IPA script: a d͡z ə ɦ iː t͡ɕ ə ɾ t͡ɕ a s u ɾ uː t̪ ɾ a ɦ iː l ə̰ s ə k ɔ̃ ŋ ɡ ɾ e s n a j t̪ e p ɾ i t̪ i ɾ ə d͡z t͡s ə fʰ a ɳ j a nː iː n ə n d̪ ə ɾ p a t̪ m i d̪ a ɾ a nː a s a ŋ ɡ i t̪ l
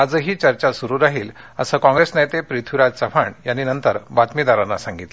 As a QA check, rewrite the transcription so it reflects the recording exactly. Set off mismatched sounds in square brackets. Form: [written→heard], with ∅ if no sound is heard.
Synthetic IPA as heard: a d͡z ə ɦ iː t͡ɕ ə ɾ t͡ɕ a s u ɾ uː [t̪→∅] ɾ a ɦ iː l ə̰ s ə k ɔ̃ ŋ ɡ ɾ e s n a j t̪ e p ɾ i [t̪→t̪ʰ] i ɾ [ə→a] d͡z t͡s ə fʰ a ɳ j a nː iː n ə n [d̪→t̪] ə ɾ [p→b] a t̪ m i d̪ a ɾ a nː a s a ŋ ɡ i t̪ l